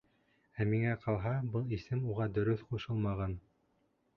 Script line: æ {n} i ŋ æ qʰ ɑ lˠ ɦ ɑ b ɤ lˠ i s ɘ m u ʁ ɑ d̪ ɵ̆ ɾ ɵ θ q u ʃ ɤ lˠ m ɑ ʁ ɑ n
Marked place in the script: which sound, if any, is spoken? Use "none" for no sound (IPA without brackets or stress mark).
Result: m